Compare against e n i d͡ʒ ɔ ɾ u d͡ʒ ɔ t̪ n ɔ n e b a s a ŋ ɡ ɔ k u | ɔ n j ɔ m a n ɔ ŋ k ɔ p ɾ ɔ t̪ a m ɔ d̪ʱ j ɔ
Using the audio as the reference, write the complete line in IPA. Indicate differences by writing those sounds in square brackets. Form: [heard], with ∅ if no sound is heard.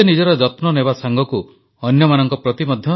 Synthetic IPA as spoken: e n i d͡ʒ ɔ ɾ [ɔ] d͡ʒ ɔ t̪ n ɔ n e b a s a ŋ ɡ ɔ k u | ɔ n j ɔ m a n ɔ ŋ k ɔ p ɾ ɔ t̪ [i] m ɔ d̪ʱ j ɔ